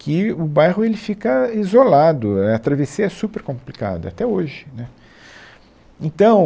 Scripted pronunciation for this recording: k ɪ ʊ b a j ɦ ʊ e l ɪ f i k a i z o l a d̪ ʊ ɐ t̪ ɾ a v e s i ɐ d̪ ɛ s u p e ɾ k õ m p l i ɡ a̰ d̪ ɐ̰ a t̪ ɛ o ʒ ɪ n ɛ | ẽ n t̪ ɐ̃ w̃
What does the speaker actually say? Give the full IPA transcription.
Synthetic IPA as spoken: k ɪ ʊ b a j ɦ ʊ e l ɪ f i k ɐ i z o l a d̪ ʊ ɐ t̪ ɾ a v e s i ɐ ɛ s u p e ɾ k õ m p l i k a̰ d̪ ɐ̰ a t̪ ɛ o ʒ ɪ n ɛ | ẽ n t̪ ɐ̃ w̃